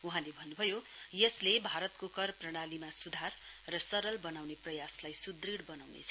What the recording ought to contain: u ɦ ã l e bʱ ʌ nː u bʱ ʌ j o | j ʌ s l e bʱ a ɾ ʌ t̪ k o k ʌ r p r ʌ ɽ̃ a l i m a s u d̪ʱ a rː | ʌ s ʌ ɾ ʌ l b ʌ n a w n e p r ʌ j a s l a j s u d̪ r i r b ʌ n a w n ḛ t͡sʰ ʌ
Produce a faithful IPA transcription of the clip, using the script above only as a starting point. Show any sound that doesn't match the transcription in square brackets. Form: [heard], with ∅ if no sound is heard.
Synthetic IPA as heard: u ɦ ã l e bʱ ʌ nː u bʱ ʌ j o | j ʌ s l e bʱ a ɾ ʌ t̪ k o k ʌ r p r ʌ ɽ̃ a l i m a s u d̪ʱ a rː | ʌ s ʌ ɾ ʌ l b ʌ n a w n e p r ʌ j a s l a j s u d̪ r i [ɽ] b ʌ n a w n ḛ t͡sʰ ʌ